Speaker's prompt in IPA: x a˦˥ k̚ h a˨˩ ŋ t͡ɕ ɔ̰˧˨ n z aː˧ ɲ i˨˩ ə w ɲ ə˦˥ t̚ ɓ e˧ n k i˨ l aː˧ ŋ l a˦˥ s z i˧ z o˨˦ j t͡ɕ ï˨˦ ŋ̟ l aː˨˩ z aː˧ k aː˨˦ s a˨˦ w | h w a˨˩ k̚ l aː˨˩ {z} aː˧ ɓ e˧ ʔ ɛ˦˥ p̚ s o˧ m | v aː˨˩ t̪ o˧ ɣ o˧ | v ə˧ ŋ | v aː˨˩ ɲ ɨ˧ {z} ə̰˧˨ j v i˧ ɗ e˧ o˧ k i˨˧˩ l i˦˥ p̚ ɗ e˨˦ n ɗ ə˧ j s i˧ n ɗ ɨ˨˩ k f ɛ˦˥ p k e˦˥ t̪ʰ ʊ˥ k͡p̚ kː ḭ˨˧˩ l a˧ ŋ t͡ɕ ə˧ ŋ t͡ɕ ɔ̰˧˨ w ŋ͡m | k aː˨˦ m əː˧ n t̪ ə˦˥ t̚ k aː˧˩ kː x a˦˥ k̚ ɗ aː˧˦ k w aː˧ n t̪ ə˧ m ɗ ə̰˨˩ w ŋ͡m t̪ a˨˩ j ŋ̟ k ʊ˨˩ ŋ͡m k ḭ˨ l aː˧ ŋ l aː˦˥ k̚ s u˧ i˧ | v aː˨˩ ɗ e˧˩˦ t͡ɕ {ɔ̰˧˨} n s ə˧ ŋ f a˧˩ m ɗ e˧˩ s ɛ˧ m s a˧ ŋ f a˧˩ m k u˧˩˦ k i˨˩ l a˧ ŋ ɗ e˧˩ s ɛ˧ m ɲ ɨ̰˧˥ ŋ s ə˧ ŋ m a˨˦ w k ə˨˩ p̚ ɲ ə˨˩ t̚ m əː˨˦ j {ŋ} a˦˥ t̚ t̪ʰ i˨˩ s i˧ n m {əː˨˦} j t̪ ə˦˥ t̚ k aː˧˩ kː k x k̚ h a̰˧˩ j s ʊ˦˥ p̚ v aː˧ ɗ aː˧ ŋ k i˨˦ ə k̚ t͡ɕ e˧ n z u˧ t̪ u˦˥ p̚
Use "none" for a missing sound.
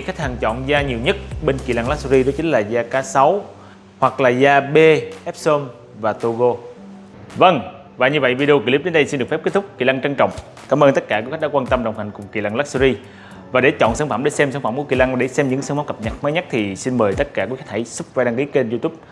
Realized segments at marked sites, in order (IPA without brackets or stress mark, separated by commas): z, v, ɔ̰˧˨, ɲ, əː˨˩